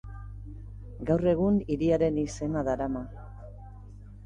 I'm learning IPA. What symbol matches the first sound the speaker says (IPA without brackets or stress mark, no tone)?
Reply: ɡ